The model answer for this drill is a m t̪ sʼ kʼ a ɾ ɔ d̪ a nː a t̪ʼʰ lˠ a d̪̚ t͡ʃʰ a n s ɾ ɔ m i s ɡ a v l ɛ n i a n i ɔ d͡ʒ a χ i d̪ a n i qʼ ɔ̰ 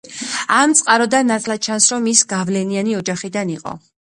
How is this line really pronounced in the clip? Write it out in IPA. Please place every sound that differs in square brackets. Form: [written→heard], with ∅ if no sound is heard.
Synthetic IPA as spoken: a m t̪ sʼ [kʼ→qʼ] a ɾ ɔ d̪ a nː a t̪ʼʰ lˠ a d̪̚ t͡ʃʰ a n s ɾ ɔ m i s ɡ a v l ɛ n i a n i ɔ d͡ʒ a χ i d̪ a n i qʼ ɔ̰